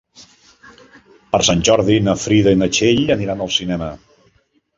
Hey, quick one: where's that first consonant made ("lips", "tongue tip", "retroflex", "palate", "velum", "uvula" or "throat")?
lips